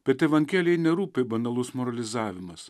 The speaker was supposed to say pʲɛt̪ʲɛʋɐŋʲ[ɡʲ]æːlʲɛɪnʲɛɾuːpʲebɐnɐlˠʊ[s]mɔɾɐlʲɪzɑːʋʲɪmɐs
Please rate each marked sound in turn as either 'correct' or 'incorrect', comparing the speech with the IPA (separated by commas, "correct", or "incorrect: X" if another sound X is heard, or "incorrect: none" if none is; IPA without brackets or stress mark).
incorrect: kʲ, correct